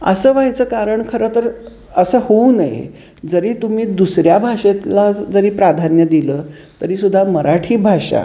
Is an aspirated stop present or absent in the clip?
present